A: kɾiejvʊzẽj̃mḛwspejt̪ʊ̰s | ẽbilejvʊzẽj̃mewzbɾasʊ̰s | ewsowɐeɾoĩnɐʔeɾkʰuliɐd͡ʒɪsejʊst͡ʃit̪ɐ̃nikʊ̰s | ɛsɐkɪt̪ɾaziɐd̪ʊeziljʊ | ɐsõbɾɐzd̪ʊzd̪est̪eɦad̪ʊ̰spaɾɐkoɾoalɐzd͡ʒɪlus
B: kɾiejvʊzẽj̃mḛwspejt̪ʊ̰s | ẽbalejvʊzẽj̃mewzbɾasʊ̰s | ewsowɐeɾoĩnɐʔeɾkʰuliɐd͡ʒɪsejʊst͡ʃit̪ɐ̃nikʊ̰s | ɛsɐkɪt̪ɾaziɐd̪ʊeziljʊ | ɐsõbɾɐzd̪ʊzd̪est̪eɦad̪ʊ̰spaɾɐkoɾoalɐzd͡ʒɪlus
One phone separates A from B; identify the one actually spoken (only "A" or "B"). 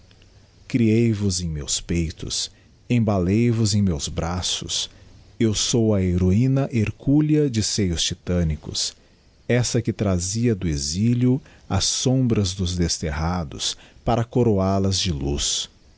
B